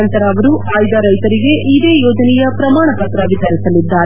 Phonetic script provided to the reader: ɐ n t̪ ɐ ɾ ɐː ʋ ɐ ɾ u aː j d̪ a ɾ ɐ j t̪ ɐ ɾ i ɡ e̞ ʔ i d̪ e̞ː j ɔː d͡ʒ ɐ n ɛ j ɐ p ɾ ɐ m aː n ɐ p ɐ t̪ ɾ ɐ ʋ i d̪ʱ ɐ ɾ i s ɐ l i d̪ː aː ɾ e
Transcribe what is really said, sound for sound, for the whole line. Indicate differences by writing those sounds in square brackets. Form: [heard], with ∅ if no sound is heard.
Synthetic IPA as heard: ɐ n t̪ ɐ ɾ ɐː ʋ ɐ ɾ u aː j d̪ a ɾ ɐ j t̪ ɐ ɾ i ɡ e̞ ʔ i d̪ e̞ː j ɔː d͡ʒ ɐ n ɛ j ɐ p ɾ ɐ m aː [ɳ] ɐ p ɐ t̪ ɾ ɐ ʋ i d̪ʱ ɐ ɾ i s ɐ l i d̪ː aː ɾ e